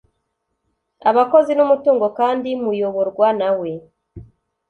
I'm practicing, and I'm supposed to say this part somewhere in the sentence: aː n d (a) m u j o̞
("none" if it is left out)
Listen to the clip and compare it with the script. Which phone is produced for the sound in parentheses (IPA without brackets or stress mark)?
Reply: i